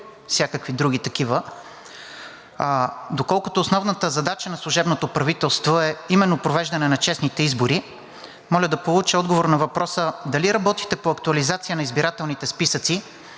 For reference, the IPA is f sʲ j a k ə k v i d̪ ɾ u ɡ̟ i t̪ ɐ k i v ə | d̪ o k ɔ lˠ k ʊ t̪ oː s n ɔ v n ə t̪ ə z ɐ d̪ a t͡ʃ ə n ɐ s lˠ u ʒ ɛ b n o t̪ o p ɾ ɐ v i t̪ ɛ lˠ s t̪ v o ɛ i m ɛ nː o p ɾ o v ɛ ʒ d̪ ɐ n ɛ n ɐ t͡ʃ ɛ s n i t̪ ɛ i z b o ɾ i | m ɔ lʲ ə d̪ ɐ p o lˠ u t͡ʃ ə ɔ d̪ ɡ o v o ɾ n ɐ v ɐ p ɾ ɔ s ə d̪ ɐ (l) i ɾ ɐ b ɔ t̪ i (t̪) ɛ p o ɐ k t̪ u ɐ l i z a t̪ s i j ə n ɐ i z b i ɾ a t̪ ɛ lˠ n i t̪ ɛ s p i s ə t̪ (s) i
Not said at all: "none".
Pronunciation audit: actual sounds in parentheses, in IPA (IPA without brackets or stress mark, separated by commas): l, t̪, s